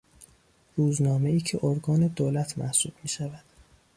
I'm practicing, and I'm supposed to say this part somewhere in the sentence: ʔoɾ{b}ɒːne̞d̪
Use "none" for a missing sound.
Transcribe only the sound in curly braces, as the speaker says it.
ɡ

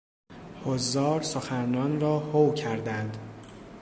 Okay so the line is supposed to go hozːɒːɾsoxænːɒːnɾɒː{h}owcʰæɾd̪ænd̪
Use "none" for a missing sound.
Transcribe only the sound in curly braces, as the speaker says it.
h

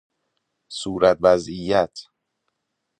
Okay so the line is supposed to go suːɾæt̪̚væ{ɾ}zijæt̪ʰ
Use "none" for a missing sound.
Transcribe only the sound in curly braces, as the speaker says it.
none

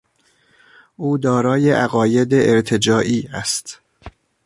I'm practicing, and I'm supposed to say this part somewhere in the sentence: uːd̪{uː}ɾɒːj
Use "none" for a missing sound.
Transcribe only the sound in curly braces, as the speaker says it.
ɒː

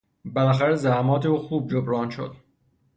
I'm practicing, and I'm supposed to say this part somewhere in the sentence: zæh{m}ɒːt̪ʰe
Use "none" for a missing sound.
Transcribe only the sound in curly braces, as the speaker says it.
m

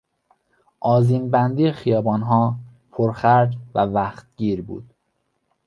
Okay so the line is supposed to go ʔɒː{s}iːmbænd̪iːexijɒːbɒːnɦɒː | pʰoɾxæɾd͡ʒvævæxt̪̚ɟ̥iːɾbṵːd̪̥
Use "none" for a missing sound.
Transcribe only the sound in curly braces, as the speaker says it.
z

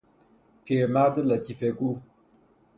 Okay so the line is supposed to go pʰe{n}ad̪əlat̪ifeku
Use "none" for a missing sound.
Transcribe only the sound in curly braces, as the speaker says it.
m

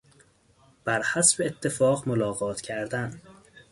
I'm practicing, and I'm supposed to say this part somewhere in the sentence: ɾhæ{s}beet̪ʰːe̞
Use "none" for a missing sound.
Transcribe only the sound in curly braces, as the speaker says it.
s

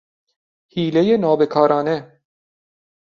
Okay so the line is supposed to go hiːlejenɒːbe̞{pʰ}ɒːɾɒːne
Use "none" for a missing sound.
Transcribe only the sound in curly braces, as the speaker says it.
kʰ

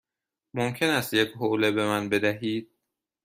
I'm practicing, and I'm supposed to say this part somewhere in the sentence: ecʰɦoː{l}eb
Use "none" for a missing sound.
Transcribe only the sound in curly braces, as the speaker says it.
l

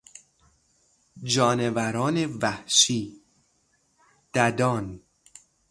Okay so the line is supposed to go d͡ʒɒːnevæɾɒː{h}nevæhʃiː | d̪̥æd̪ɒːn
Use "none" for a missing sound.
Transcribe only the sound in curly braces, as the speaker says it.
none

